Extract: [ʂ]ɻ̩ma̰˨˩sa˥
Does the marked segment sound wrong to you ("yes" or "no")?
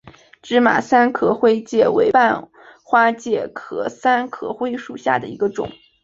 yes